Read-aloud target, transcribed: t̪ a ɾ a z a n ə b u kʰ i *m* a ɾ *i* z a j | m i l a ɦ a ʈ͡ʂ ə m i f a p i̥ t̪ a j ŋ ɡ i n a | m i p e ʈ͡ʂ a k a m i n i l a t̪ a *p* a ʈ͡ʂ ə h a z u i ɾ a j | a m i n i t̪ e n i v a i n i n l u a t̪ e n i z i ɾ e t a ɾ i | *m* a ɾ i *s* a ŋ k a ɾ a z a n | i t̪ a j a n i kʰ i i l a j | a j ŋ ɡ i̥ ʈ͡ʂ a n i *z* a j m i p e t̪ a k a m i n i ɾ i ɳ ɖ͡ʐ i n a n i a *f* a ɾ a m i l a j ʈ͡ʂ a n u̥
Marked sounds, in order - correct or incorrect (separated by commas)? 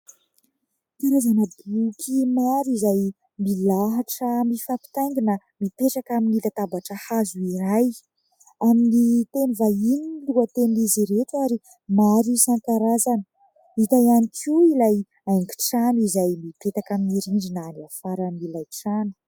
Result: correct, correct, incorrect, correct, correct, correct, correct